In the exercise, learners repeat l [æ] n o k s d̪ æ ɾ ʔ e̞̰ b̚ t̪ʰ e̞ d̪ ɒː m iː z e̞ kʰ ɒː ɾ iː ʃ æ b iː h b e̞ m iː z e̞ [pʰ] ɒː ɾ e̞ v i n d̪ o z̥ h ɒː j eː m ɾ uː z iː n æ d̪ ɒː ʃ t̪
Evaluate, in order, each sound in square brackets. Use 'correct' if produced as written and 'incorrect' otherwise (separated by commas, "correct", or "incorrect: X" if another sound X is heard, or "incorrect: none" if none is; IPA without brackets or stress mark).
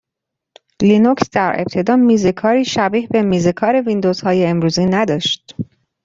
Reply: incorrect: i, incorrect: kʰ